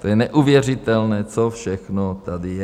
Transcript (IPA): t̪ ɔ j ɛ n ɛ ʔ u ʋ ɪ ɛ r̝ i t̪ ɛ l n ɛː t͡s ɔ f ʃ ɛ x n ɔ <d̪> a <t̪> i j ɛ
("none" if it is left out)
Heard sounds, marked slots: t̪, d̪

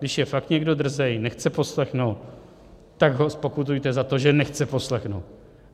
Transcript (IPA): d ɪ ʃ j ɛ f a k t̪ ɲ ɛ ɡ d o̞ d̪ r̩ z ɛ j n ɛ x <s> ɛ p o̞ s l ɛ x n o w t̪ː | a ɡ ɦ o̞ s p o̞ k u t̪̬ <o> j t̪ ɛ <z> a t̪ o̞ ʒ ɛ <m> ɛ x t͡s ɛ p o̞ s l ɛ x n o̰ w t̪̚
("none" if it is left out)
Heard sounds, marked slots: t͡s, u, z, n

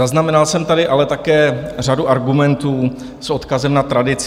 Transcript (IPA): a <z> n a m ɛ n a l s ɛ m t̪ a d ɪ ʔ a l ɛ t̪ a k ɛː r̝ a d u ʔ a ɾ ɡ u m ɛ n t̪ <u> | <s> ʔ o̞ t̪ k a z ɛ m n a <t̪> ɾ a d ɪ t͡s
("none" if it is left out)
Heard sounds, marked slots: z, uː, s, t̪

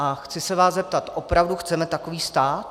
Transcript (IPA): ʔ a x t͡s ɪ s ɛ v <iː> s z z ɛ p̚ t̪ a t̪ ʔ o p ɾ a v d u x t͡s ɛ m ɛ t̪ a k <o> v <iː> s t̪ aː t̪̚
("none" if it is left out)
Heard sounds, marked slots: aː, o, iː

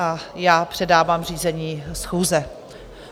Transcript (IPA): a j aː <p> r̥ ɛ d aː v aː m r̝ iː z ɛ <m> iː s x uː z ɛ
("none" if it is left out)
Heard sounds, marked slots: p, ɲ

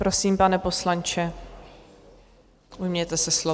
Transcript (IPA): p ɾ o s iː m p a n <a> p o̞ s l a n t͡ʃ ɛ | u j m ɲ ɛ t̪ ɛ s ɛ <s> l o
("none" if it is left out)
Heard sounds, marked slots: ɛ, s

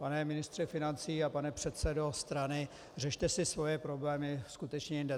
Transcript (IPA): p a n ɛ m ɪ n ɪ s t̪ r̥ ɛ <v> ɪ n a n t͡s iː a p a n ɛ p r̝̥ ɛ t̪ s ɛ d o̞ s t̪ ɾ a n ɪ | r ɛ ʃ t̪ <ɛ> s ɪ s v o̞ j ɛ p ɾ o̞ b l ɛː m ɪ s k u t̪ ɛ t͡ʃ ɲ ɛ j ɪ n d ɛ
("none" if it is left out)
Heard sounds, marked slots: f, ɛ

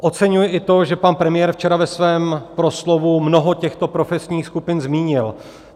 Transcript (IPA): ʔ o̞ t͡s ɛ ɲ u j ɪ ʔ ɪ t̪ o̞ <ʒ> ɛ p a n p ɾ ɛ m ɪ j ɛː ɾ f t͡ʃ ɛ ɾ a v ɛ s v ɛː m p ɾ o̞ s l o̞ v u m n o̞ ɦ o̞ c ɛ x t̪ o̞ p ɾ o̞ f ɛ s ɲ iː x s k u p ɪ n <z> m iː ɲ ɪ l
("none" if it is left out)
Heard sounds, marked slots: ʒ, z

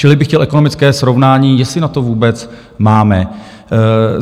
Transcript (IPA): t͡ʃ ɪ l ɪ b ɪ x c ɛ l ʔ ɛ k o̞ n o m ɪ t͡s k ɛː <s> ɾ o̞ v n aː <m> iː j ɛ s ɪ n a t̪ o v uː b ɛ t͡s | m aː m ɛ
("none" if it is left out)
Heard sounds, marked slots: s, ɲ

